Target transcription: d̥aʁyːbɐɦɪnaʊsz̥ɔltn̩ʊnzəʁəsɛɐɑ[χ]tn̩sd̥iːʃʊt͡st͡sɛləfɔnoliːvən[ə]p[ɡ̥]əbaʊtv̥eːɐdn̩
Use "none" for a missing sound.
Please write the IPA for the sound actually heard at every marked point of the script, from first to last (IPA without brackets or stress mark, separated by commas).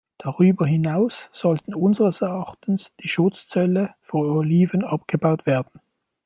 χ, ɑ, ɡ̥